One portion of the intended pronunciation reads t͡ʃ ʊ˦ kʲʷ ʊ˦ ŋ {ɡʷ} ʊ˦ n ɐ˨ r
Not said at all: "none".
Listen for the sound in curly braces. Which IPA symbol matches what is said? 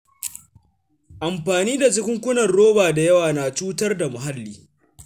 kʷ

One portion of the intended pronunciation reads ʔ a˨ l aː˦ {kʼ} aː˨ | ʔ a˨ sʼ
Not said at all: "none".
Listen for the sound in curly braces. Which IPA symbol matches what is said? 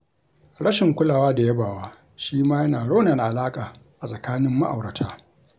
kʼ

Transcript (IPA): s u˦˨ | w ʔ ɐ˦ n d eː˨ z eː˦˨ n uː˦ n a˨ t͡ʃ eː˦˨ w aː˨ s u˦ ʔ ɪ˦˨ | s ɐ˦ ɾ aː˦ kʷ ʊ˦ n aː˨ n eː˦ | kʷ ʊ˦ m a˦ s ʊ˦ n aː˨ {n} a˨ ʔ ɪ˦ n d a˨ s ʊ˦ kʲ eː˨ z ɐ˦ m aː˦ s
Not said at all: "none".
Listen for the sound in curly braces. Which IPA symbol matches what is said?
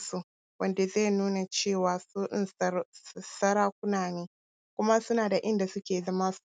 d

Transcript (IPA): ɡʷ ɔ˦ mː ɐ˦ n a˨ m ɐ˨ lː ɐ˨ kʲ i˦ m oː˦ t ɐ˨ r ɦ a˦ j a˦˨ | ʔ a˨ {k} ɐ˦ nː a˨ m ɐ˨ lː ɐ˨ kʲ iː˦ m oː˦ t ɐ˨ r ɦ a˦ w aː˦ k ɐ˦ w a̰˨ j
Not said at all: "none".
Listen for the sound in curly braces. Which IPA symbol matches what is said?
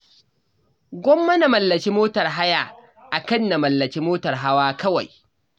k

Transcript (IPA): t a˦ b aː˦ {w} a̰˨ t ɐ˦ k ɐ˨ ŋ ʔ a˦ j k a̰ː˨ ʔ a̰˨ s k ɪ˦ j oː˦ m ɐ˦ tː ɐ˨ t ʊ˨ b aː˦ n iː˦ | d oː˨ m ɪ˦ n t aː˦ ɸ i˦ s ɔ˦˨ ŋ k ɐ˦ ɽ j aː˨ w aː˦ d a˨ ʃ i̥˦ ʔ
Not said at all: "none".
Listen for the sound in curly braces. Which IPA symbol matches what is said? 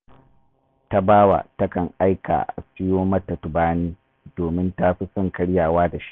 w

